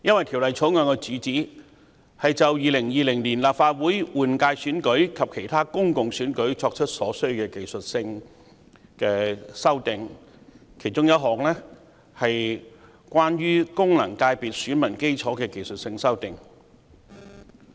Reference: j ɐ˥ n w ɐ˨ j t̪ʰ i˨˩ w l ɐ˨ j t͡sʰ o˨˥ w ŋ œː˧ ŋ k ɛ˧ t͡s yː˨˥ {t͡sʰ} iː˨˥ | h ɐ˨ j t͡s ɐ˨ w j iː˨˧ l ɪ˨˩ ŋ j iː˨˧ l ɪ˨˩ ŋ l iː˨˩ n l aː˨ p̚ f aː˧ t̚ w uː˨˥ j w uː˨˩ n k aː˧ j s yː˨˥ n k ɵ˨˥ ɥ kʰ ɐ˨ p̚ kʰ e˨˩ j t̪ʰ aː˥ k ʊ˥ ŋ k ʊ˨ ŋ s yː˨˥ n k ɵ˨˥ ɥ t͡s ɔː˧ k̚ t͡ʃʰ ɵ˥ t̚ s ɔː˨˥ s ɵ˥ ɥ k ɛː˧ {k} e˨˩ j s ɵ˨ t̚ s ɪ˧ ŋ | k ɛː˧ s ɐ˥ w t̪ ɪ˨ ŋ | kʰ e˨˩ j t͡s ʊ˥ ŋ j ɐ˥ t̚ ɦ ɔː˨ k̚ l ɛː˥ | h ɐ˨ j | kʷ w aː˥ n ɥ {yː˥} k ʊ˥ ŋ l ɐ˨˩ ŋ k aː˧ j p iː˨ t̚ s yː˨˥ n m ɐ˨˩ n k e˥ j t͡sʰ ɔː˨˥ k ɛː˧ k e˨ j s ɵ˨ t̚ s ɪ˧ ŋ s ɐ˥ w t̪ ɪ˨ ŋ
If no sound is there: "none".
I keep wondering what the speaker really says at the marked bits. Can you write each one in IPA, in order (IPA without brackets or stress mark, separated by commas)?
t͡s, k, yː˥